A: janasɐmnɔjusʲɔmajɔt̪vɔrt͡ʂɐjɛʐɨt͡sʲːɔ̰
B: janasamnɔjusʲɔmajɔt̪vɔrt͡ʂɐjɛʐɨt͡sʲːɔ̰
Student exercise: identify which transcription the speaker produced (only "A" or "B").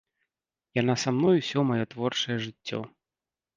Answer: B